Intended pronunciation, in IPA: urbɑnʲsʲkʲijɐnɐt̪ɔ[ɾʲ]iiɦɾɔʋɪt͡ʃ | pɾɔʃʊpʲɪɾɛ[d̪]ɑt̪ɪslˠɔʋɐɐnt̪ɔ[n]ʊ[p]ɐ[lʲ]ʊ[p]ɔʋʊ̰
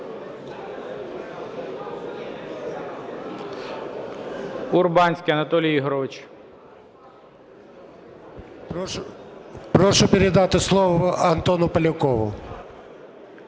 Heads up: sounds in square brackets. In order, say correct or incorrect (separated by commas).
incorrect, correct, correct, correct, correct, incorrect